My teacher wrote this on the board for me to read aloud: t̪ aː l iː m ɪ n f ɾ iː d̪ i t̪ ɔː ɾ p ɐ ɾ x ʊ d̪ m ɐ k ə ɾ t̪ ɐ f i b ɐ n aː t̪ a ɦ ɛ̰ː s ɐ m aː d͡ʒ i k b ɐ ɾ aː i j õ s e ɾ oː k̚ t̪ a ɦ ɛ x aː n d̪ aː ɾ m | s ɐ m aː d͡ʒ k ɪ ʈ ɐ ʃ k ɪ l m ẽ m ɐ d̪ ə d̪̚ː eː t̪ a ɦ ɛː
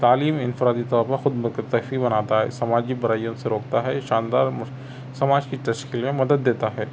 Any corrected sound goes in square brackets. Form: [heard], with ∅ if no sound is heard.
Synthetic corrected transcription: t̪ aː l iː m ɪ n f ɾ [aː] d̪ i t̪ ɔː ɾ p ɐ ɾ x ʊ d̪ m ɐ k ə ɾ t̪ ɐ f i b ɐ n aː t̪ a ɦ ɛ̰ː s ɐ m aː d͡ʒ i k b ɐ ɾ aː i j õ s e ɾ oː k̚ t̪ a ɦ ɛ [ʃ] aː n d̪ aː ɾ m | s ɐ m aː d͡ʒ k [i] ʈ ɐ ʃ k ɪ l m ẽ m ɐ d̪ ə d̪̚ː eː t̪ a ɦ ɛː

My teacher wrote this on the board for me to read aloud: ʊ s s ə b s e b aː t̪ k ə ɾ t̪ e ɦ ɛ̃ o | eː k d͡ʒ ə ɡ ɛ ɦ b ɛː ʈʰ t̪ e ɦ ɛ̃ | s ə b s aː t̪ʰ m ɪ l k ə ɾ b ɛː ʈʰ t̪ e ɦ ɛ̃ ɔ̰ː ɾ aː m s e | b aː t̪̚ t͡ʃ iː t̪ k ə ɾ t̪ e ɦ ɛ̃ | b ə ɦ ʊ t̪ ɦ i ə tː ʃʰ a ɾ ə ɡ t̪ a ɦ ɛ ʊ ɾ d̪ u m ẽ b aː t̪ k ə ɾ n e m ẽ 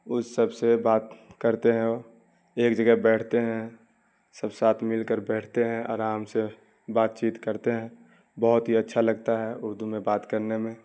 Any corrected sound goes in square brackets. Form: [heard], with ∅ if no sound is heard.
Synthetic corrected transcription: ʊ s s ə b s e b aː t̪ k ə ɾ t̪ e ɦ ɛ̃ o | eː k d͡ʒ ə ɡ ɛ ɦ b ɛː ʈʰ t̪ e ɦ ɛ̃ | s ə b s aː t̪ʰ m ɪ l k ə ɾ b ɛː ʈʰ t̪ e ɦ ɛ̃ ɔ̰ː ɾ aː m s e | b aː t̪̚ t͡ʃ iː t̪ k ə ɾ t̪ e ɦ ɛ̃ | b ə ɦ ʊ t̪ ɦ i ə tː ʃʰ a [l] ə ɡ t̪ a ɦ ɛ ʊ ɾ d̪ u m ẽ b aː t̪ k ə ɾ n e m ẽ

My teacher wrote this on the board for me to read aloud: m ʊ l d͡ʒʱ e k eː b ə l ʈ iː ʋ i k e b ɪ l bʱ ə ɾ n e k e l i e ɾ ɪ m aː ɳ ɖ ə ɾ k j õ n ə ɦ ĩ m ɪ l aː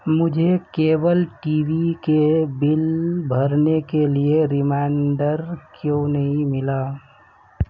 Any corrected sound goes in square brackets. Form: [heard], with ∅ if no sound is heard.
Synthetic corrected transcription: m ʊ [∅] d͡ʒʱ e k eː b ə l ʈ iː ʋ i k e b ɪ l bʱ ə ɾ n e k e l i e ɾ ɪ m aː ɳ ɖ ə ɾ k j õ n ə ɦ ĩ m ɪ l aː

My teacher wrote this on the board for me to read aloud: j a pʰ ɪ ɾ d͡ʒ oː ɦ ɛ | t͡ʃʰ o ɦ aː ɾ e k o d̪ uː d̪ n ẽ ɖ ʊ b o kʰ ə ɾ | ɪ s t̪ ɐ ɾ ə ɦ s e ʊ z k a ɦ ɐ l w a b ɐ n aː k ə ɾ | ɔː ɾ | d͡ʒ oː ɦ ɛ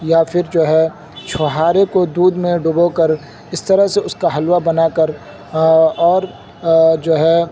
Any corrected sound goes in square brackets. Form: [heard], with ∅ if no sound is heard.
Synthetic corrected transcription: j a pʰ ɪ ɾ d͡ʒ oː ɦ ɛ | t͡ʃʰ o ɦ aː ɾ e k o d̪ uː d̪ [m] ẽ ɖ ʊ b o [k] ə ɾ | ɪ s t̪ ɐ ɾ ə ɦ s e ʊ [s] k a ɦ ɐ l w a b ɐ n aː k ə ɾ | ɔː ɾ | d͡ʒ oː ɦ ɛ

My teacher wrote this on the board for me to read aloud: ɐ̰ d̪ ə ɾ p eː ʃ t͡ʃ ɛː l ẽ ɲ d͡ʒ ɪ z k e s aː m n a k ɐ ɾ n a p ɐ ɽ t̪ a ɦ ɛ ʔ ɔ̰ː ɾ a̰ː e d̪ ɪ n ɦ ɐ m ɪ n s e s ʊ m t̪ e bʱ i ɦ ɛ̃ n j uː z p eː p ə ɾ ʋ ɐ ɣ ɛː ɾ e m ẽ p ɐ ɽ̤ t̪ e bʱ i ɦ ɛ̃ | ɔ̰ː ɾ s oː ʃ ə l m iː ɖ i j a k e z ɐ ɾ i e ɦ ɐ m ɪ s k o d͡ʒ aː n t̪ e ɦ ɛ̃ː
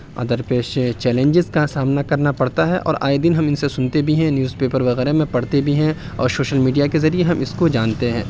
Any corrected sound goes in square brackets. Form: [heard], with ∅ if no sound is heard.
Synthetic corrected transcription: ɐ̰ d̪ ə ɾ p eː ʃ t͡ʃ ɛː l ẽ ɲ d͡ʒ ɪ z k [a] s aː m n a k ɐ ɾ n a p ɐ ɽ t̪ a ɦ ɛ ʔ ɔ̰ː ɾ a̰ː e d̪ ɪ n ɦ ɐ m ɪ n s e s ʊ [n] t̪ e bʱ i ɦ ɛ̃ n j uː z p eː p ə ɾ ʋ ɐ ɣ ɛː ɾ e m ẽ p ɐ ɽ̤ t̪ e bʱ i ɦ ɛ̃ | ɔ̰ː ɾ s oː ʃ ə l m iː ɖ i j a k e z ɐ ɾ i e ɦ ɐ m ɪ s k o d͡ʒ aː n t̪ e ɦ ɛ̃ː

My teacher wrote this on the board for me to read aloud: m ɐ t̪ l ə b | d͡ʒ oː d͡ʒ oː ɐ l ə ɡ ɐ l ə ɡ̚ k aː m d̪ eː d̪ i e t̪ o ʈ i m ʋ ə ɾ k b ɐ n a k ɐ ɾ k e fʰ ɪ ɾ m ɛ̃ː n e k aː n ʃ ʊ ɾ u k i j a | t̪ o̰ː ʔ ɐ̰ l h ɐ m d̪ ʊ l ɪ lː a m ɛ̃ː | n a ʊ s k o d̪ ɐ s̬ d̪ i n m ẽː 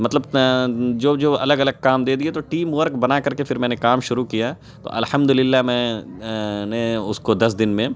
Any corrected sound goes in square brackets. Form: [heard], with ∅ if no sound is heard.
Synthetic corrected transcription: m ɐ t̪ l ə b | d͡ʒ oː d͡ʒ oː ɐ l ə ɡ ɐ l ə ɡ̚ k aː m d̪ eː d̪ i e t̪ o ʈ [iː] m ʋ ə ɾ k b ɐ n a k ɐ ɾ k e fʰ ɪ ɾ m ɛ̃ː n e k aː [m] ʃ ʊ ɾ u k i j a | t̪ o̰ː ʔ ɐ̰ l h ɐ m d̪ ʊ l ɪ lː a m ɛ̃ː | n [e] ʊ s k o d̪ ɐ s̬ d̪ [ɪ] n m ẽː

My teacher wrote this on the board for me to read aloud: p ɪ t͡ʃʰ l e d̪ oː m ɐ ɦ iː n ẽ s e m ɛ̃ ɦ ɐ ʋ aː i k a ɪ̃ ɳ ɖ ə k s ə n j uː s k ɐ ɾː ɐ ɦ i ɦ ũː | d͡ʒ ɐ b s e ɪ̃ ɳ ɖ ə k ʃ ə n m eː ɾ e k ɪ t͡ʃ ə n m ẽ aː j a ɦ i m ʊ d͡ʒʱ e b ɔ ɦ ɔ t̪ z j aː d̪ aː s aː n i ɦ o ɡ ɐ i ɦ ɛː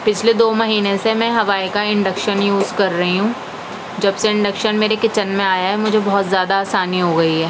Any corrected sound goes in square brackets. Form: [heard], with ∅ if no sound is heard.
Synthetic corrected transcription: p ɪ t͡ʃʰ l e d̪ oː m ɐ ɦ iː n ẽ s e m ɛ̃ ɦ ɐ ʋ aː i k a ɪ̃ ɳ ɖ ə k [ʃ] ə n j uː [z] k ɐ ɾː ɐ ɦ i ɦ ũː | d͡ʒ ɐ b s e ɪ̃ ɳ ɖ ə k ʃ ə n m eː ɾ e k ɪ t͡ʃ ə n m ẽ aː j a ɦ [ɛ] m ʊ d͡ʒʱ e b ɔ ɦ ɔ t̪ z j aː d̪ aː s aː n i ɦ o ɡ ɐ i ɦ ɛː

